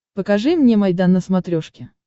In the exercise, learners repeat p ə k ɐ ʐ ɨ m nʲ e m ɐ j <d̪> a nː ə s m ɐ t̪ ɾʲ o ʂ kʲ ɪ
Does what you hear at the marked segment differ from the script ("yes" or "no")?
no